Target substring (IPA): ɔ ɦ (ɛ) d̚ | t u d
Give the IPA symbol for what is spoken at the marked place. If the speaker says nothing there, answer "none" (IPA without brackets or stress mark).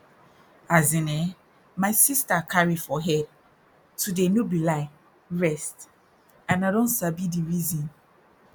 ɛ